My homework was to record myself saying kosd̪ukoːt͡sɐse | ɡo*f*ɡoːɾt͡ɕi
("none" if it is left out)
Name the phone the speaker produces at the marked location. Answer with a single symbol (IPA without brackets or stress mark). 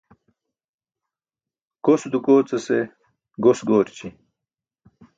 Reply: s